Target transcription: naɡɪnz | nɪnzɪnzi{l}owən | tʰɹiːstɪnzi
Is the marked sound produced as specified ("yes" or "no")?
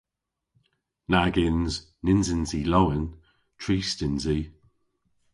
yes